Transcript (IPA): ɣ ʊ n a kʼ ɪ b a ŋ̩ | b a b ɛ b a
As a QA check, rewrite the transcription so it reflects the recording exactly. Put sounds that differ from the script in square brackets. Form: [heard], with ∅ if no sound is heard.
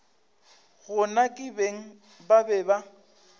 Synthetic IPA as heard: ɣ ʊ n a kʼ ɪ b [e] ŋ̩ | b a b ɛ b a